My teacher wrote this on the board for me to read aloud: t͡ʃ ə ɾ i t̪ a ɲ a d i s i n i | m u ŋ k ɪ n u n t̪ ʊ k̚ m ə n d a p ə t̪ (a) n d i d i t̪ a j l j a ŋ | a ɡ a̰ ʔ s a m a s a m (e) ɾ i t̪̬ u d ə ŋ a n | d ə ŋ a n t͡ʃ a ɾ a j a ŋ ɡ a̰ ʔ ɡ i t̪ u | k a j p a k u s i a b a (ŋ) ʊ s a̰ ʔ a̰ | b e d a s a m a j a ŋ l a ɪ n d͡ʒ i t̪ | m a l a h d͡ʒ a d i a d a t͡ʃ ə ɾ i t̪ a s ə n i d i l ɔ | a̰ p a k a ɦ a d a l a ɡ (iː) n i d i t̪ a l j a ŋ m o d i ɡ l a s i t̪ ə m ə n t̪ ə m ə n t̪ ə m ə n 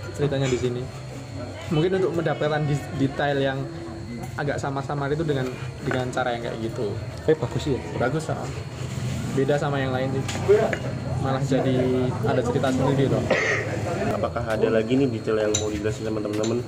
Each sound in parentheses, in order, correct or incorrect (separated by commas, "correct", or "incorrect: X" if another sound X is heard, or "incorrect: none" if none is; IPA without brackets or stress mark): correct, incorrect: a, incorrect: ɡ, incorrect: i